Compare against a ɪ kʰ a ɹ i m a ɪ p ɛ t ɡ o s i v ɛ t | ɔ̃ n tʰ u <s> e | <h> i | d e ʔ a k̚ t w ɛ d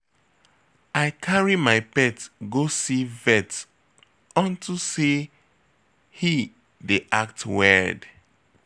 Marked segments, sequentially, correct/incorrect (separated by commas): correct, correct